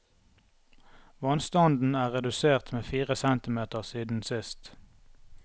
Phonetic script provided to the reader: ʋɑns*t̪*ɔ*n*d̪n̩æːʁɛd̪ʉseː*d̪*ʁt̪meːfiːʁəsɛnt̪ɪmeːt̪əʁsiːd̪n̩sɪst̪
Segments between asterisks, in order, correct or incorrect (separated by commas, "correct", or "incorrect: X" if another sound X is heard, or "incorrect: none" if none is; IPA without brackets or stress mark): correct, correct, incorrect: none